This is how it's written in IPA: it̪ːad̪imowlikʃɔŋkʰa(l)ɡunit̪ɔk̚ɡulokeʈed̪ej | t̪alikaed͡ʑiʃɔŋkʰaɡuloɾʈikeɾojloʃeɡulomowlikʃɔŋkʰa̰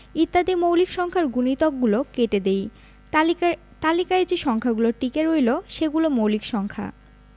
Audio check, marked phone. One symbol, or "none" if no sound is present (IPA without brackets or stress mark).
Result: ɾ